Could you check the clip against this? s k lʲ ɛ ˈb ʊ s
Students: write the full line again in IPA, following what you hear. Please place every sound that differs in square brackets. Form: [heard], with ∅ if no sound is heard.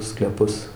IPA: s k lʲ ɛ [ˈp] ʊ s